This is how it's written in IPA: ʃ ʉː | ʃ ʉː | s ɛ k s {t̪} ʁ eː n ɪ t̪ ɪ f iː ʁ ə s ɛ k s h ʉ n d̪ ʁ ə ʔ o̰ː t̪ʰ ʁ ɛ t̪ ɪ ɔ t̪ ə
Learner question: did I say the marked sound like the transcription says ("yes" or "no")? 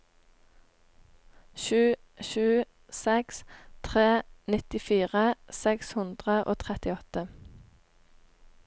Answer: no